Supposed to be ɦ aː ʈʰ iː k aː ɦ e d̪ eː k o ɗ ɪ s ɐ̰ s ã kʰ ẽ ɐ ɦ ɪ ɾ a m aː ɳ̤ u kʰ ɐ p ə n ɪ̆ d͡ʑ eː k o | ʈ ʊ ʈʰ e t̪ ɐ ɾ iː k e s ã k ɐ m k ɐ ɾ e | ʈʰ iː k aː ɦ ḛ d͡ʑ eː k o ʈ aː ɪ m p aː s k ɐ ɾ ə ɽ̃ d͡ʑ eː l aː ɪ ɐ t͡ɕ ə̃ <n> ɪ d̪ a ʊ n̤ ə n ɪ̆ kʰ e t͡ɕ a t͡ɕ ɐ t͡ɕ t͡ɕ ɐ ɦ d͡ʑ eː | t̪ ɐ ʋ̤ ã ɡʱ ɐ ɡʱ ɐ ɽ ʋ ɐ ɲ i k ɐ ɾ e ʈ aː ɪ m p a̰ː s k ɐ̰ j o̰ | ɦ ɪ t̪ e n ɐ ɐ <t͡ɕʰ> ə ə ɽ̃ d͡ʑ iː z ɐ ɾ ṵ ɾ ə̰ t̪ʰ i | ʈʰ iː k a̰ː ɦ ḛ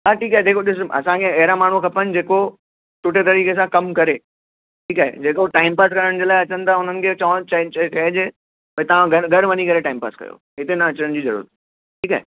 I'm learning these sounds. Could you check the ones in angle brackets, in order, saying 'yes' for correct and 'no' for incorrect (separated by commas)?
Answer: yes, no